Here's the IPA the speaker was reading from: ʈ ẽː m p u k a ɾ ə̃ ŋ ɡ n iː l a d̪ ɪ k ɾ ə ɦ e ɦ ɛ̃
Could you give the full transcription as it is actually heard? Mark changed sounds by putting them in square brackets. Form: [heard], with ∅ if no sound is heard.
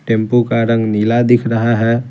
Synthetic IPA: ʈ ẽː m p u k a ɾ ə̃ ŋ ɡ n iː l a d̪ ɪ [kʰ] ɾ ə ɦ [a] ɦ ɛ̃